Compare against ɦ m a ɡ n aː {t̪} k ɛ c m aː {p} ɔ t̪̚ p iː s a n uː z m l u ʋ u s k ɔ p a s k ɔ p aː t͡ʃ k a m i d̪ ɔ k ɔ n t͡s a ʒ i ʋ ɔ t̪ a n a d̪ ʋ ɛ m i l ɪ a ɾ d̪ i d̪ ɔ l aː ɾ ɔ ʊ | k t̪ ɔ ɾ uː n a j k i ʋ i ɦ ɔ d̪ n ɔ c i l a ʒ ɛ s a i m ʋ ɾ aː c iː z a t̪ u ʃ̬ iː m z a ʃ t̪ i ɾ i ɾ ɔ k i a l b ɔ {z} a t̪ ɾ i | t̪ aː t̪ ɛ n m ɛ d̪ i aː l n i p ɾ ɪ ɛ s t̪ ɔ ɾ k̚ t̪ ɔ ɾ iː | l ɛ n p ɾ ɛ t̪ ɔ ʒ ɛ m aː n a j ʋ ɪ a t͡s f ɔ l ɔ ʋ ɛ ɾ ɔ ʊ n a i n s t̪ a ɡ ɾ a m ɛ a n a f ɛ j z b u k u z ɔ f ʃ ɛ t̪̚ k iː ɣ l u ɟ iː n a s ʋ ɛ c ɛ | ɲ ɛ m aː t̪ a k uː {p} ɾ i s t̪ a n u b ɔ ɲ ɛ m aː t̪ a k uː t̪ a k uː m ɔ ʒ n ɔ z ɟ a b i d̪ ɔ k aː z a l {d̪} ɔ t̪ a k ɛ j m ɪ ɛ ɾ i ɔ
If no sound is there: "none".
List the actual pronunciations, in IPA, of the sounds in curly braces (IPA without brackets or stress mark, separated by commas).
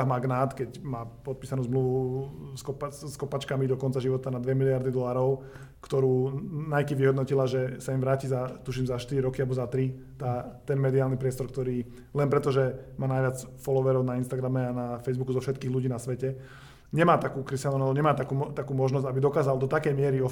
t̪, p, z, k, d̪